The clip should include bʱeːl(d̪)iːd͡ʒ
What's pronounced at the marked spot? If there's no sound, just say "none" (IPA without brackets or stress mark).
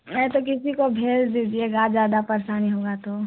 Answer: d̪